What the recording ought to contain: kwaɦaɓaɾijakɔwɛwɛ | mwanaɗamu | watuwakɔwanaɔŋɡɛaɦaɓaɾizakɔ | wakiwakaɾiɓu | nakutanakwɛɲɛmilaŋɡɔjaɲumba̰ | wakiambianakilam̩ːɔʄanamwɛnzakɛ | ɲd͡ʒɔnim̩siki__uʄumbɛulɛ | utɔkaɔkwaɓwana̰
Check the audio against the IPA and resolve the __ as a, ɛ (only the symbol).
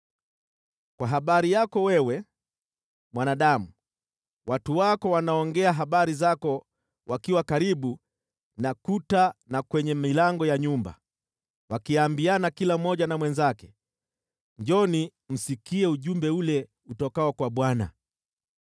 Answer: ɛ